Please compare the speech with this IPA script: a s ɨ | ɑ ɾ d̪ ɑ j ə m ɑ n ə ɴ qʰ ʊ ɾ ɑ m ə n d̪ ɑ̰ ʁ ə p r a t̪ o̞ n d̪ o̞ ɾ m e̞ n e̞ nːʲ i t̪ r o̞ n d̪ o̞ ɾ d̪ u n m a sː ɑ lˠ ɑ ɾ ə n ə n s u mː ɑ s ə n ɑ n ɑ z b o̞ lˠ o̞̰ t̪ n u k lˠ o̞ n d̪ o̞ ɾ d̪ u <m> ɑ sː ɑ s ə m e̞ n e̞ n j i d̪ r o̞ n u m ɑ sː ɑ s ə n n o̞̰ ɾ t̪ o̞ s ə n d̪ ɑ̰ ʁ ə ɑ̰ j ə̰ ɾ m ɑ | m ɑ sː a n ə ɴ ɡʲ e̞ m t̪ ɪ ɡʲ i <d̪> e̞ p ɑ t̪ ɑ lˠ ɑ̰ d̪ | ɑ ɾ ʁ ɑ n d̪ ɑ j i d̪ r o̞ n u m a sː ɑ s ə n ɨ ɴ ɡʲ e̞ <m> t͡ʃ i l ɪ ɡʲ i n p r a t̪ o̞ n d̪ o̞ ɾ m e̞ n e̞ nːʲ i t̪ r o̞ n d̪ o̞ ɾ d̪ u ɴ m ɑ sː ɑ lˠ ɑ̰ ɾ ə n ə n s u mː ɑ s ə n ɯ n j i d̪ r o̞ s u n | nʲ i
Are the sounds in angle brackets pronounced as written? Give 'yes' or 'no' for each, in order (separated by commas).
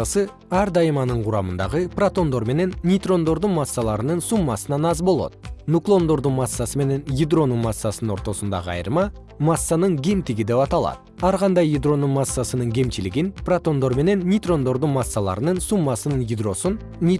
yes, yes, yes